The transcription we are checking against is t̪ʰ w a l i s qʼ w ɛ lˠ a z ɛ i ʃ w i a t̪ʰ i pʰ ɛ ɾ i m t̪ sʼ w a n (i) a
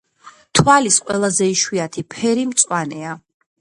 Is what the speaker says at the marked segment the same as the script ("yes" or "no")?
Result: no